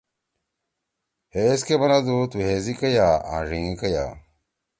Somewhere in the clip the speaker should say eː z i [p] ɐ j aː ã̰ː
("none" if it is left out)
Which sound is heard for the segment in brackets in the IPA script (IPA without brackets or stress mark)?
k